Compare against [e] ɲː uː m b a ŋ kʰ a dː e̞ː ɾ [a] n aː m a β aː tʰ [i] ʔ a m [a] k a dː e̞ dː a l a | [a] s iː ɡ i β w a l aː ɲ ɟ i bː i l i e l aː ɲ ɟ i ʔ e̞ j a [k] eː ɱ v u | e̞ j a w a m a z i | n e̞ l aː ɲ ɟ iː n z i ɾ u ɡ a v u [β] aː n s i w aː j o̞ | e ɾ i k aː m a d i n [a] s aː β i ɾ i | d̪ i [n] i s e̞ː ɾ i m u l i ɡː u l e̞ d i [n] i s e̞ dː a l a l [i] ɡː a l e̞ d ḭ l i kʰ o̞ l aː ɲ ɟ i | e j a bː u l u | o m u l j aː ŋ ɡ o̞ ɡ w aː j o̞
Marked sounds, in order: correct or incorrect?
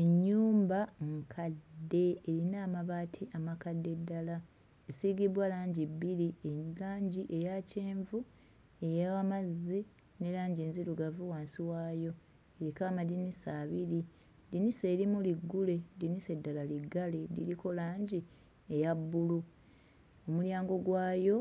correct, incorrect: i, correct, correct, incorrect: e, incorrect: c, incorrect: w, incorrect: i, correct, correct, correct

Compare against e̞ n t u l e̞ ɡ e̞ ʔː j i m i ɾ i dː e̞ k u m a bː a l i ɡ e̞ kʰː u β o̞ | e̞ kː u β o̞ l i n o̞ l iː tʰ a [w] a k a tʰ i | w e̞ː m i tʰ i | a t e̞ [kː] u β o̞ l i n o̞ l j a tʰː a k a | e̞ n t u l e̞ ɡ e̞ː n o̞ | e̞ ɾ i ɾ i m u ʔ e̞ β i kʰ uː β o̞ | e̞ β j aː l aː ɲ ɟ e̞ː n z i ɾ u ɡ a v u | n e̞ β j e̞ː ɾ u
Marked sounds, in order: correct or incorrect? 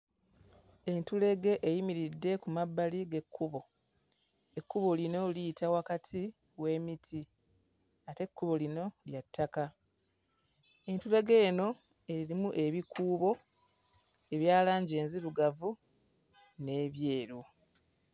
correct, correct

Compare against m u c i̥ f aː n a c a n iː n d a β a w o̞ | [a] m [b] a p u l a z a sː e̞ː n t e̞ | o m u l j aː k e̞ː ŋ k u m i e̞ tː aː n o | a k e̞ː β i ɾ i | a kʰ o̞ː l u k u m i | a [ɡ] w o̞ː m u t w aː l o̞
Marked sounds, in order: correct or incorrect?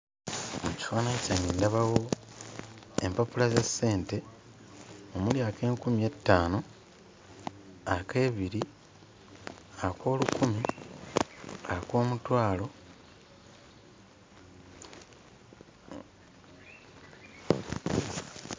incorrect: e, incorrect: p, incorrect: k

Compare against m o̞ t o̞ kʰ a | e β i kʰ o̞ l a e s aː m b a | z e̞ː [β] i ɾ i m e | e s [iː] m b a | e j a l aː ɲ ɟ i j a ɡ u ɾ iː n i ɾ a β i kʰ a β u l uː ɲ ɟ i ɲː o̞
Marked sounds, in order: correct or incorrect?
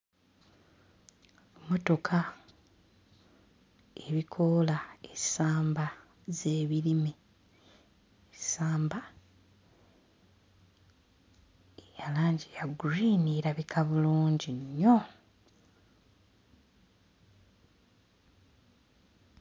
correct, incorrect: aː

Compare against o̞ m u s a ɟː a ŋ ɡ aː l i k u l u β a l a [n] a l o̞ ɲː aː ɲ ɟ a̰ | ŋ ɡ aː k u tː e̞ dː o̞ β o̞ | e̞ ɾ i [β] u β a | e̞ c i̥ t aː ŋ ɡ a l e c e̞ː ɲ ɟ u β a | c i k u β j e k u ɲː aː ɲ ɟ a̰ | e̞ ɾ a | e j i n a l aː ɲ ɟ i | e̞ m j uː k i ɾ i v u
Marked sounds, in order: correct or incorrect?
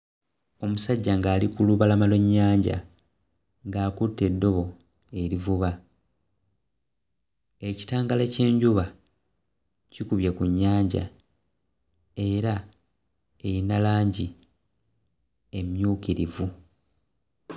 incorrect: m, incorrect: v

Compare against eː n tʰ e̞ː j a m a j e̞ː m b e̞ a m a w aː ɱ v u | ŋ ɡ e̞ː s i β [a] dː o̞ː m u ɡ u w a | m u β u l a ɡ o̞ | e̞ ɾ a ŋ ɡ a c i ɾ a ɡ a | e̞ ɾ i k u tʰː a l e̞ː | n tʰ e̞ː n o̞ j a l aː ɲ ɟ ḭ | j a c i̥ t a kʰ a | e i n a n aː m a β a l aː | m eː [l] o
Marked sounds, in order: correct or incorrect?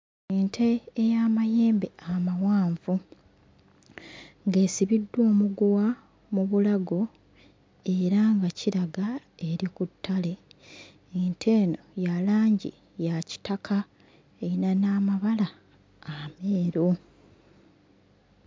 incorrect: i, incorrect: ɾ

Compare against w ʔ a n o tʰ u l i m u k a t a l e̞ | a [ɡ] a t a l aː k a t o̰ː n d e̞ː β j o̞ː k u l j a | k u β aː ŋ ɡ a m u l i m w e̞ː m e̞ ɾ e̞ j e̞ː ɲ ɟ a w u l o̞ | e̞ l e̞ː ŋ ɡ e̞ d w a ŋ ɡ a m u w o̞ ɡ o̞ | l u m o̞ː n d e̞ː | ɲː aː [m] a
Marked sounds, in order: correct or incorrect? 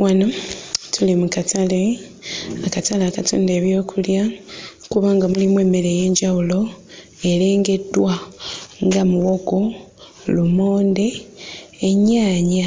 incorrect: k, incorrect: ɲ

